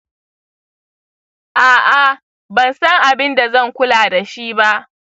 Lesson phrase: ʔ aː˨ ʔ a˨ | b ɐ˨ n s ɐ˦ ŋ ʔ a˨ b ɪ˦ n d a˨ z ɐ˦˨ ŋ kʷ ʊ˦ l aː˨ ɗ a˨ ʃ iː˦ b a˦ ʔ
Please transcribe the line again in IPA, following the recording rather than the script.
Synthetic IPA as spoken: ʔ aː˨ ʔ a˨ | b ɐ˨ n s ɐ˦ ŋ ʔ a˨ b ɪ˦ n d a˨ z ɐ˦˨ ŋ kʷ ʊ˦ l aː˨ d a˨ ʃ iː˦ b a˦ ʔ

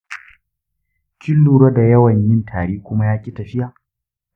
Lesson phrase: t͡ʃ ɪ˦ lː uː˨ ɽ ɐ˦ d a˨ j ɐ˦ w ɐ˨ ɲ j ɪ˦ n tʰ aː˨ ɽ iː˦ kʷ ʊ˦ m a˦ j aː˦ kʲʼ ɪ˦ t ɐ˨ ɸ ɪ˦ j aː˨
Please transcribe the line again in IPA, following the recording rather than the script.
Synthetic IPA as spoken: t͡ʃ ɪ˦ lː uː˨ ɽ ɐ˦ d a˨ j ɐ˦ w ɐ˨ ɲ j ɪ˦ n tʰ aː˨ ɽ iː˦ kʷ ʊ˦ m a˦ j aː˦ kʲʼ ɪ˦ t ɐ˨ ɸ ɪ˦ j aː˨

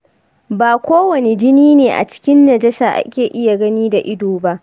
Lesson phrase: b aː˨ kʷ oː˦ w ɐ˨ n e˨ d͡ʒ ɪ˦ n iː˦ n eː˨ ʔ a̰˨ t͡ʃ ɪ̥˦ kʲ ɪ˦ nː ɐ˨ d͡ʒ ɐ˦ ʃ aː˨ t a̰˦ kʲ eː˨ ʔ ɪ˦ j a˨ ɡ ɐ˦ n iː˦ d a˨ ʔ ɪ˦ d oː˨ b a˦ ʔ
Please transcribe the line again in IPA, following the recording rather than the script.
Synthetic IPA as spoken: b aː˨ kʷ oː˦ w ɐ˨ n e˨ d͡ʒ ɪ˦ n iː˦ n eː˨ ʔ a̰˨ t͡ʃ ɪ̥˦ kʲ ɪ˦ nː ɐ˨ d͡ʒ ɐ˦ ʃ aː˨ ʔ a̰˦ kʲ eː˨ ʔ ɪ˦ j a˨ ɡ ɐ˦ n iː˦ d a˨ ʔ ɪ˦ d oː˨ b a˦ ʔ

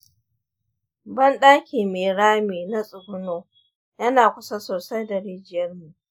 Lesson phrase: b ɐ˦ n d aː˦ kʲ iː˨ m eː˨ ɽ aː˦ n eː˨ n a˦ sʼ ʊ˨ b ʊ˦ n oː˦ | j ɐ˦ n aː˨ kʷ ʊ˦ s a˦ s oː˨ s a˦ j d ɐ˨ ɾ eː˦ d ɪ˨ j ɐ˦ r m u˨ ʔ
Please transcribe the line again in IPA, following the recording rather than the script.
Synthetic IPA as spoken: b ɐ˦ n ɗ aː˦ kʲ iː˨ m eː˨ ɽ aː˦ m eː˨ n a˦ sʼ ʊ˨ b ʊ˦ n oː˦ | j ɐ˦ n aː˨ kʷ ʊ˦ s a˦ s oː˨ s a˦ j d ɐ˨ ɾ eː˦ d͡ʒ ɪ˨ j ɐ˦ r m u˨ ʔ

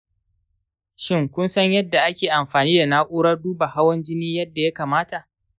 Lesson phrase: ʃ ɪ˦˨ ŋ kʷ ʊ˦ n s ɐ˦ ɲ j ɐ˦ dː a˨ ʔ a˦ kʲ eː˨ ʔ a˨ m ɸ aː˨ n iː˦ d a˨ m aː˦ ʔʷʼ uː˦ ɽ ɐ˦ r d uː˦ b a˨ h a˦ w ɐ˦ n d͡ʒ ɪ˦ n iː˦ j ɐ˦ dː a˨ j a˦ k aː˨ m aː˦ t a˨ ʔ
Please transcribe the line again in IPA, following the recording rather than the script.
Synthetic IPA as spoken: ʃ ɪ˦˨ ŋ kʷ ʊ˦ n s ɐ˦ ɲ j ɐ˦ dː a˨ ʔ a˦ kʲ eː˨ ʔ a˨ m ɸ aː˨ n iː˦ d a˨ n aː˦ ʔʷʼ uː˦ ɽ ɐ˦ r d uː˦ b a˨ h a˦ w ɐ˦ n d͡ʒ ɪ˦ n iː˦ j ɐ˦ dː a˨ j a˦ k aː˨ m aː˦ t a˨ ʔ

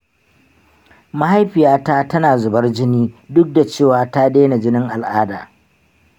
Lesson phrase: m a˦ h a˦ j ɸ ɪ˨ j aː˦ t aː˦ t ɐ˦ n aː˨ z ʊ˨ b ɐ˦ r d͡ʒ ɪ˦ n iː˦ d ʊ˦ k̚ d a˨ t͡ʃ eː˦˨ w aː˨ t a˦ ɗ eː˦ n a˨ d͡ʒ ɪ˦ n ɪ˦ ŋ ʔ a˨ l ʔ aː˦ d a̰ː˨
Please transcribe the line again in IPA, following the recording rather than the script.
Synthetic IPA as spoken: m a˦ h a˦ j ɸ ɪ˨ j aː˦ t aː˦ t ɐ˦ n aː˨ z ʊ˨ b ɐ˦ r d͡ʒ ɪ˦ n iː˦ d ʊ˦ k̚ d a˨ t͡ʃ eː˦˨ w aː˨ t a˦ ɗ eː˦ n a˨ d͡ʒ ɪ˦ n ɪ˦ ŋ ʔ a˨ l ʔ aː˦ d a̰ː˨

